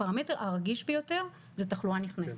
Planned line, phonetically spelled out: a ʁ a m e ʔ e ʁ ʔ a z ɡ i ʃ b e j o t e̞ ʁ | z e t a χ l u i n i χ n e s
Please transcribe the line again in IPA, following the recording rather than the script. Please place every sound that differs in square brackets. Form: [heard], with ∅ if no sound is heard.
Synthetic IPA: a ʁ a m e [t] e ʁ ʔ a [ʁ] ɡ i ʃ b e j o t e̞ ʁ | z e t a χ l u [a] n i χ n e s